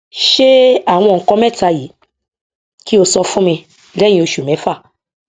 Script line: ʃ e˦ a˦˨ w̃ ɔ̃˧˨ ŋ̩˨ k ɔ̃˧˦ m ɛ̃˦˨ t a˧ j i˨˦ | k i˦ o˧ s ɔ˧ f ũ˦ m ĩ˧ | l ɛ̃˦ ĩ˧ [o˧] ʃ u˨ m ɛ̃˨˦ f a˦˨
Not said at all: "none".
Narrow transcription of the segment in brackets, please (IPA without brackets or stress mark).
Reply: o˧